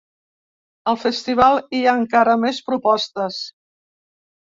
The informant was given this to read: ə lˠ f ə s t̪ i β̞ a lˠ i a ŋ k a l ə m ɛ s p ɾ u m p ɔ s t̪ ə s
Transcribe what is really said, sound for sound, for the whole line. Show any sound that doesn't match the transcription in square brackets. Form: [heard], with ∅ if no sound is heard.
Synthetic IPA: ə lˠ f ə s t̪ i β̞ a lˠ i a ŋ k a [ɾ] ə m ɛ s p ɾ u [∅] p ɔ s t̪ ə s